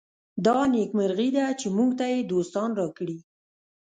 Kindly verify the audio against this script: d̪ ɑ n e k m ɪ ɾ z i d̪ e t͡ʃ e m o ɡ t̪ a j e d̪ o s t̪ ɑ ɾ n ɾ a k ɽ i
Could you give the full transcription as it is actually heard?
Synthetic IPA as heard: d̪ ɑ n e k m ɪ ɾ ɣ i d̪ a t͡ʃ e m u ɡ t̪ a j e d̪ o s t̪ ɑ n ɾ ɑ k ɽ i